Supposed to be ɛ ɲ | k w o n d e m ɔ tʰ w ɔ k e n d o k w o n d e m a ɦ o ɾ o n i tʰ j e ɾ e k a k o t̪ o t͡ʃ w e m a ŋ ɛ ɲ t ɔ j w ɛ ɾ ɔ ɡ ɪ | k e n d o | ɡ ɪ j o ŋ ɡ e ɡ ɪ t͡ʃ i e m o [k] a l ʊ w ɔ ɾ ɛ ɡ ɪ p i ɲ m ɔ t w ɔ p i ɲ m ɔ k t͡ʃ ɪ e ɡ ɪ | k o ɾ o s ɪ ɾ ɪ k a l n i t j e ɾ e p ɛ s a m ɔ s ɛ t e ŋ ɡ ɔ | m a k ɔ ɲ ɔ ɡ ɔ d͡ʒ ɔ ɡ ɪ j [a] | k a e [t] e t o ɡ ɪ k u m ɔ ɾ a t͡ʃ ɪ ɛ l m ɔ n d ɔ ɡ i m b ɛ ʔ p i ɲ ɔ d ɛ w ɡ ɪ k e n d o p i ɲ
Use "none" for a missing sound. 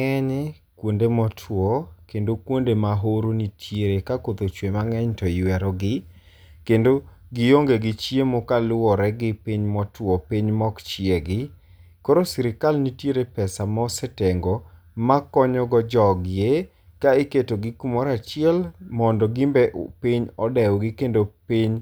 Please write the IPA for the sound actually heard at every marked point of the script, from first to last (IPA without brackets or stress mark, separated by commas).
k, e, k